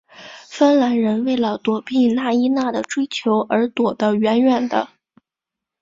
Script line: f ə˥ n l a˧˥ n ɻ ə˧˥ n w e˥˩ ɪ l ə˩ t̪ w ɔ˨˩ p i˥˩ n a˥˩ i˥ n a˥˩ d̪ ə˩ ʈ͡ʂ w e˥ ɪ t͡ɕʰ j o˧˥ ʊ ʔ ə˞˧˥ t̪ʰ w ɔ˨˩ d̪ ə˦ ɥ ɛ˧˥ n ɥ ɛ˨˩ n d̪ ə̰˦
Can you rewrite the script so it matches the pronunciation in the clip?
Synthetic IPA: f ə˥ n l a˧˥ n ɻ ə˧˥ n w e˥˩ ɪ l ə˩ t̪ w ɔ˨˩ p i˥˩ n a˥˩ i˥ n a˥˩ d̪ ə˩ ʈ͡ʂ w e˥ ɪ t͡ɕʰ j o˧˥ ʊ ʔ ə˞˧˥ t̪ w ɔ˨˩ d̪ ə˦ ɥ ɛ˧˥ n ɥ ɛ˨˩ n d̪ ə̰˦

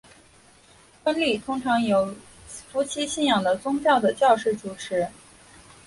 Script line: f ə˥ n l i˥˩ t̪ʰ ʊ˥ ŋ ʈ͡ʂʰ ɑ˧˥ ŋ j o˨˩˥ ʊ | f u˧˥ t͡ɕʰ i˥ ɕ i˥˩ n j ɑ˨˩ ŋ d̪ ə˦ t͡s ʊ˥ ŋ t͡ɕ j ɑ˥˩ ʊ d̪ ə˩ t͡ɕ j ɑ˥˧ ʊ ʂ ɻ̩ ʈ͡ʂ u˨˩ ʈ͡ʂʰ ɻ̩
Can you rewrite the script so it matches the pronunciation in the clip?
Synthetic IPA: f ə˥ n l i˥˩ t̪ʰ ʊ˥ ŋ ʈ͡ʂʰ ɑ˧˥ ŋ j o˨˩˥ ʊ | f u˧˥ t͡ɕʰ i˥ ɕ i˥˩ n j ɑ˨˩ ŋ d̪ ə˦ t͡s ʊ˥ ŋ t͡ɕ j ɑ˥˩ ʊ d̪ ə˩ t͡ɕ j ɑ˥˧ ʊ ʂ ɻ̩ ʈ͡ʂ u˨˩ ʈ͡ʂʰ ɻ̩

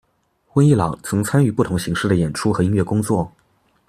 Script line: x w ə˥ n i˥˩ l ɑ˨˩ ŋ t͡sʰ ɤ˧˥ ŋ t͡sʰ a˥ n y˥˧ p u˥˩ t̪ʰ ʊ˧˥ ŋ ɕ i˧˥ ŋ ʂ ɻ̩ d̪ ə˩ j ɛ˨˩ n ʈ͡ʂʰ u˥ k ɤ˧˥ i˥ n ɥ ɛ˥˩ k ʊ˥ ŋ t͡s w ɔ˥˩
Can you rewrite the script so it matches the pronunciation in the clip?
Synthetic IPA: x w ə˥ n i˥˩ l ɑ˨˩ ŋ t͡sʰ ɤ˧˥ ŋ t͡sʰ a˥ n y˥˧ p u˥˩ t̪ʰ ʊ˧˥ ŋ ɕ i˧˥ ŋ ʂ ɻ̩ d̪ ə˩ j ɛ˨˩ n ʈ͡ʂʰ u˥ x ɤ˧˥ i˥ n ɥ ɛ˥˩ k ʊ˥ ŋ t͡s w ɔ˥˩

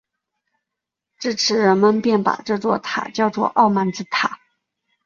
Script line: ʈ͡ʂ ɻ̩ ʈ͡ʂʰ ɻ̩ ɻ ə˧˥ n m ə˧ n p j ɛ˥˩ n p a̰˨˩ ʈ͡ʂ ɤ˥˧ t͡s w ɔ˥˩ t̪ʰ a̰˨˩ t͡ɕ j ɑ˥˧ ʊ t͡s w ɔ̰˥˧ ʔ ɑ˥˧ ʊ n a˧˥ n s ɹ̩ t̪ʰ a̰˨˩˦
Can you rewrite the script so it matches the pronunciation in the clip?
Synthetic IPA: ʈ͡ʂ ɻ̩ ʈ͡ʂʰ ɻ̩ ɻ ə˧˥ n m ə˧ n p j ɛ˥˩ n p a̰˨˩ ʈ͡ʂ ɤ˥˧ t͡s w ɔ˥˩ t̪ʰ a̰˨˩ t͡ɕ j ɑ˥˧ ʊ t͡s w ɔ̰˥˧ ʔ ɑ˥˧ ʊ m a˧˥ n t͡s ɹ̩ t̪ʰ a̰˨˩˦

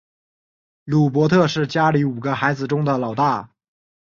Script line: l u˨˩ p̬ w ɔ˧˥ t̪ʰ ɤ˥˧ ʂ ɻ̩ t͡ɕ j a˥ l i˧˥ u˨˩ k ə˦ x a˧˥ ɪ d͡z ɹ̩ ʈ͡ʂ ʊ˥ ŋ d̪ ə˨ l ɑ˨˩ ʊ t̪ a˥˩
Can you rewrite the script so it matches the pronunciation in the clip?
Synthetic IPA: l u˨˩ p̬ w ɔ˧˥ t̪ʰ ɤ˥˧ ʂ ɻ̩ t͡ɕ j a˥ l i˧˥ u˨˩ ɡ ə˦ x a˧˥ ɪ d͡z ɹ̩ ʈ͡ʂ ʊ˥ ŋ d̪ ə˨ l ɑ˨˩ ʊ t̪ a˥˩

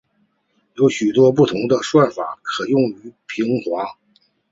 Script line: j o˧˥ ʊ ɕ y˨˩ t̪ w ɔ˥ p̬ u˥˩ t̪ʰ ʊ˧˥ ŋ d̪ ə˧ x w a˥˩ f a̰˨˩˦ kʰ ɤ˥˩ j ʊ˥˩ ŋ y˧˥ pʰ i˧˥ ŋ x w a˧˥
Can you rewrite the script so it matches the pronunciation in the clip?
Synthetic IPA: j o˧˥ ʊ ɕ y˨˩ t̪ w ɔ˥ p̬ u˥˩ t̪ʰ ʊ˧˥ ŋ d̪ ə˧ ʂ w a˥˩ f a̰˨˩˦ kʰ ɤ˨˩ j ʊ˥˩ ŋ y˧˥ pʰ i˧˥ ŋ x w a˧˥

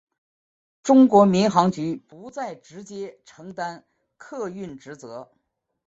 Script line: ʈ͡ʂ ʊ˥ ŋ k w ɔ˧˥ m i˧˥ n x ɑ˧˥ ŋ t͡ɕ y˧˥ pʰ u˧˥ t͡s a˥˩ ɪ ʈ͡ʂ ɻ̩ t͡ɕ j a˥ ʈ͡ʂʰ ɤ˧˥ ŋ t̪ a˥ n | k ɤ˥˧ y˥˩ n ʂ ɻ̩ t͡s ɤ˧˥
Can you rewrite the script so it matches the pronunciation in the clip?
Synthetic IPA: ʈ͡ʂ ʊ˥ ŋ k w ɔ˧˥ m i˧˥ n x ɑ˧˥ ŋ t͡ɕ y˧˥ p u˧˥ t͡s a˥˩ ɪ ʈ͡ʂ ɻ̩ t͡ɕ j ɛ˥ ʈ͡ʂʰ ɤ˧˥ ŋ t̪ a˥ n | kʰ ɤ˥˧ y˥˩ n ʈ͡ʂ ɻ̩ t͡s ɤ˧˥

